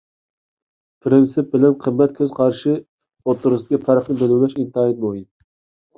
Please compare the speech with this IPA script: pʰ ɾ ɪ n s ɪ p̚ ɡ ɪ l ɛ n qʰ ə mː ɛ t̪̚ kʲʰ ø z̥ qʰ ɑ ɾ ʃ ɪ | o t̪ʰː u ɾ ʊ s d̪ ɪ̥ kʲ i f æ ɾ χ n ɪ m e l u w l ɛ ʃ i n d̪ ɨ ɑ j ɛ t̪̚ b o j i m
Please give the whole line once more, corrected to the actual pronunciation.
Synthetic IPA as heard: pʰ ɾ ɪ n s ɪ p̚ b ɪ l ɛ n qʰ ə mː ɛ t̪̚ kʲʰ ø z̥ qʰ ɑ ɾ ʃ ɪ | o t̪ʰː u ɾ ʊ s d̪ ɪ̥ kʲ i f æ ɾ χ n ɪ b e l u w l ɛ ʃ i n t̪ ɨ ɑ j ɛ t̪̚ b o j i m